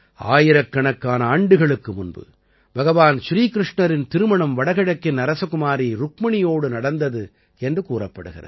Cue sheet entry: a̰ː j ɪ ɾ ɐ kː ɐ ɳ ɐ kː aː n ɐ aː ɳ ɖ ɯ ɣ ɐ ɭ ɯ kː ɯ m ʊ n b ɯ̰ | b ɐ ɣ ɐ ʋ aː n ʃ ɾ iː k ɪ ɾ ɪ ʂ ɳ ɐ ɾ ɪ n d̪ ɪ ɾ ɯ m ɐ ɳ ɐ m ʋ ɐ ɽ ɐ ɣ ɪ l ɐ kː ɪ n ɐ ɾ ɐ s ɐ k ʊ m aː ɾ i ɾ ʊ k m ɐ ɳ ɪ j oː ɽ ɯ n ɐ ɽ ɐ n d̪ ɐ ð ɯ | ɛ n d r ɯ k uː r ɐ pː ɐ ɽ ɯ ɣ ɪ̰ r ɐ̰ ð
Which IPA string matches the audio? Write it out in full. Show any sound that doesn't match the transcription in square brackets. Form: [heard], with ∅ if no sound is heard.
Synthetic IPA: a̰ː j ɪ ɾ ɐ kː ɐ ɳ ɐ kː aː n ɐ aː ɳ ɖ ɯ ɣ ɐ ɭ ɯ kː ɯ m ʊ n b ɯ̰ | b ɐ ɣ ɐ ʋ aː n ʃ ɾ iː k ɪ ɾ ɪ ʂ ɳ ɐ ɾ ɪ n [t̪] ɪ ɾ ɯ m ɐ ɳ ɐ m ʋ ɐ ɽ ɐ ɣ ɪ [ɽ] ɐ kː ɪ n ɐ ɾ ɐ s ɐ k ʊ m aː ɾ i ɾ ʊ k m ɐ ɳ ɪ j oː ɽ ɯ n ɐ ɽ ɐ n d̪ ɐ ð ɯ | ɛ n d r ɯ k uː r ɐ pː ɐ ɽ ɯ ɣ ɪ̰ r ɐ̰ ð